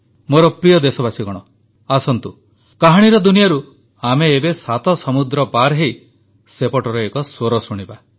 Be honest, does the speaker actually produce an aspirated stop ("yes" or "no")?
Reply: no